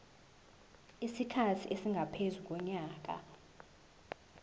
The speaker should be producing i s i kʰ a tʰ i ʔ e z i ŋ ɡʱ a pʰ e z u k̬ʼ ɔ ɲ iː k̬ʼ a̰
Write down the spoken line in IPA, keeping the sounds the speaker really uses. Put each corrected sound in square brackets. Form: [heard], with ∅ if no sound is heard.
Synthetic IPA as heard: i s i kʰ a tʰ i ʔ e [s] i ŋ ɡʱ a pʰ e z u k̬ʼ ɔ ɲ [aː] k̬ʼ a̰